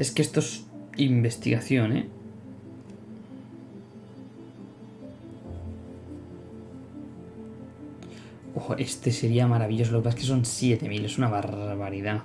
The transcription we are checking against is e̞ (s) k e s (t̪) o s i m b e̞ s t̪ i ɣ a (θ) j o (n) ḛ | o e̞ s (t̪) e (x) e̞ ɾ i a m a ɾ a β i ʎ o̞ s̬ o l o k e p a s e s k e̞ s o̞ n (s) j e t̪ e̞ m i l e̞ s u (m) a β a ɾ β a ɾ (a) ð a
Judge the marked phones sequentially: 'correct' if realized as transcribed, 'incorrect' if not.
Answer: correct, correct, correct, correct, correct, incorrect: s, correct, incorrect: n, incorrect: i

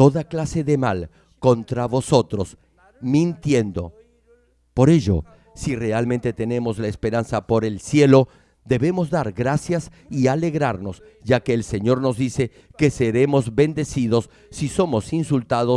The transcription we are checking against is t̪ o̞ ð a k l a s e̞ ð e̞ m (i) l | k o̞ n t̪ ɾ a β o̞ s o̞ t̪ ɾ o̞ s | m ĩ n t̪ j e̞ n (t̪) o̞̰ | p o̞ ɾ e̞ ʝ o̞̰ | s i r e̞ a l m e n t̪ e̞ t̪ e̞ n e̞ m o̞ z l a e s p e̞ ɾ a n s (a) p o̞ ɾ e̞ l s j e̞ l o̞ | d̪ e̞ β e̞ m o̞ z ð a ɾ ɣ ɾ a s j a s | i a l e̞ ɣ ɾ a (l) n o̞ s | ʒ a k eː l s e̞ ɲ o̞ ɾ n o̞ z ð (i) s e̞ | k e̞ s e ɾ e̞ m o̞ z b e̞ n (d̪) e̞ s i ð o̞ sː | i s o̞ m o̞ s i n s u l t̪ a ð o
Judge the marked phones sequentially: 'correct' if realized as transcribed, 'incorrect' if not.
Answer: incorrect: a, incorrect: d̪, correct, incorrect: ɾ, correct, correct

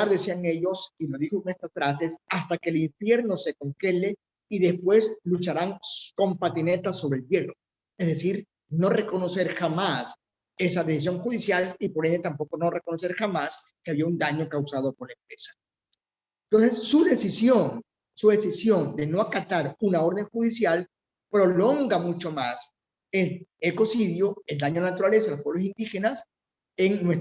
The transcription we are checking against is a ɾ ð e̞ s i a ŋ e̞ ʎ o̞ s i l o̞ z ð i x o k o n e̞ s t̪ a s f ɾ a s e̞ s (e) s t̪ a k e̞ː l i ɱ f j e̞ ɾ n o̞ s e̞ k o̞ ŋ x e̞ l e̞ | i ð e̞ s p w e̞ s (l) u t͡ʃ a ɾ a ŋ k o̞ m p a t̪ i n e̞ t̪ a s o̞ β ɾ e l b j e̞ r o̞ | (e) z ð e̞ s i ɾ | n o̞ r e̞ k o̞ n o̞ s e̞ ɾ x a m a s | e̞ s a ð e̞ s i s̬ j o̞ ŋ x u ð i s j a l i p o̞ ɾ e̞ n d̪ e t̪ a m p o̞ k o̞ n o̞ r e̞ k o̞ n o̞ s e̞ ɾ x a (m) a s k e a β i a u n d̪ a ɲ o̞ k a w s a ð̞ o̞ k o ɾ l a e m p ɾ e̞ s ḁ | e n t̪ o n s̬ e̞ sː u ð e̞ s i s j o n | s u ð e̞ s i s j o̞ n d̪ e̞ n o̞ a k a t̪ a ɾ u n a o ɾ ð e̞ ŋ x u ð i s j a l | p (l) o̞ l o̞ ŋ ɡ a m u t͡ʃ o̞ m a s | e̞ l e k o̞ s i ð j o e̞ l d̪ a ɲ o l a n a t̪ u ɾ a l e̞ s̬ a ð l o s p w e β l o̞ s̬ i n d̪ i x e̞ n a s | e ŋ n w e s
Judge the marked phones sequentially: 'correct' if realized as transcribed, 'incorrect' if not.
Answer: incorrect: a, correct, correct, correct, incorrect: ɾ

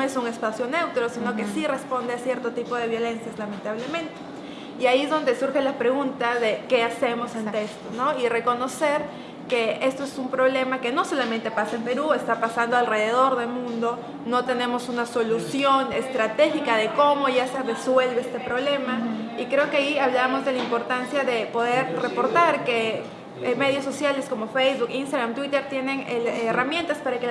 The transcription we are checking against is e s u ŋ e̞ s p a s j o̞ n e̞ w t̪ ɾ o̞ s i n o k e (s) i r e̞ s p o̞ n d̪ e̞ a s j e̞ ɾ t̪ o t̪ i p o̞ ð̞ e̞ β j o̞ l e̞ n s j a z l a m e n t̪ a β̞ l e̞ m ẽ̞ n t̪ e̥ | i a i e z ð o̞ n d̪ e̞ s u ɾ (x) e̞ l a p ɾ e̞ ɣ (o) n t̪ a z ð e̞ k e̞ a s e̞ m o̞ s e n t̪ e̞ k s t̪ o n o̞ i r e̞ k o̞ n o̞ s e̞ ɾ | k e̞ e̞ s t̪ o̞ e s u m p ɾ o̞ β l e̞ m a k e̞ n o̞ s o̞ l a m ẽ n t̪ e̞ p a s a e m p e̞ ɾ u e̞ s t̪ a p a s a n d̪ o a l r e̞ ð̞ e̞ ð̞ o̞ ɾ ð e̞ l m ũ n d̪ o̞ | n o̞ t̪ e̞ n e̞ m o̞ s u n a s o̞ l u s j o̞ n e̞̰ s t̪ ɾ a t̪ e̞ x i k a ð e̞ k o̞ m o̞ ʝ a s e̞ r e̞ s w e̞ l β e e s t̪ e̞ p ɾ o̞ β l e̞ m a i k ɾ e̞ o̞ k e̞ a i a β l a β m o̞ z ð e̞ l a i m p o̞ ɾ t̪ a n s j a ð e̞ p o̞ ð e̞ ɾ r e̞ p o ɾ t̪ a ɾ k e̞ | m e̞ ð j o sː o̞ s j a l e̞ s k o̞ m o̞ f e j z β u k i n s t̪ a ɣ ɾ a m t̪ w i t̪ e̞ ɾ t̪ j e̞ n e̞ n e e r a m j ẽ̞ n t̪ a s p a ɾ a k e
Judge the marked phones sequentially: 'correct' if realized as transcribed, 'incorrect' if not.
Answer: correct, correct, incorrect: u

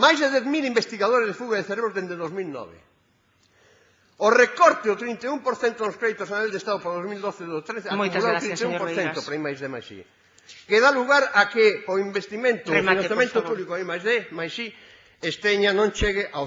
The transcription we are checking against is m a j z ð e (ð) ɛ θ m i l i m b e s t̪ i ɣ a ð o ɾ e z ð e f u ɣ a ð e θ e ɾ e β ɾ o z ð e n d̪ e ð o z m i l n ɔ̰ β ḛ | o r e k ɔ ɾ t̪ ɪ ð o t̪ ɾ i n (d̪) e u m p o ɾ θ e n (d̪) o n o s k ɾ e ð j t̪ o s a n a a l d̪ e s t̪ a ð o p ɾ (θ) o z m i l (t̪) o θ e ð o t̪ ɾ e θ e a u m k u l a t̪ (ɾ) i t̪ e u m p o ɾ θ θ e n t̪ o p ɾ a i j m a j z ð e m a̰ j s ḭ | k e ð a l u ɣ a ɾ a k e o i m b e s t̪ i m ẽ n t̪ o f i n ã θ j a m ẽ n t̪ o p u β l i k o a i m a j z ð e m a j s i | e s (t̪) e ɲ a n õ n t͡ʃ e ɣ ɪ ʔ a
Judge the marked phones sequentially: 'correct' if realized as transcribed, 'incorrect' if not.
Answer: correct, incorrect: t̪, incorrect: t̪, incorrect: ð, incorrect: d̪, correct, correct

